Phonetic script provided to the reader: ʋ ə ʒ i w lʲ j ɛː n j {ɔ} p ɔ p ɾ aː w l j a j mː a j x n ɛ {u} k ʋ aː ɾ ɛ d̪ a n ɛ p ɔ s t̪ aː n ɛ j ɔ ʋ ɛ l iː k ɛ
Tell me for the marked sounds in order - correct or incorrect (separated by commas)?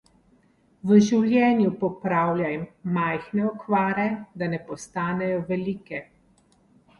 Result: incorrect, incorrect